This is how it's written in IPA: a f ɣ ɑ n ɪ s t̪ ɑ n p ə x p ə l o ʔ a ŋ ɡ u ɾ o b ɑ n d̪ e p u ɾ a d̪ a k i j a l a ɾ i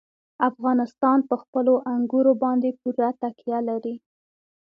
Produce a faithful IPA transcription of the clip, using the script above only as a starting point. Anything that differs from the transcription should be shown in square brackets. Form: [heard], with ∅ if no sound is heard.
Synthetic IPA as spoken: a f ɣ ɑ n ɪ s t̪ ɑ n p ə x p ə l o ʔ a ŋ ɡ u ɾ o b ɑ n d̪ e p u ɾ a [t̪] a k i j a l a ɾ i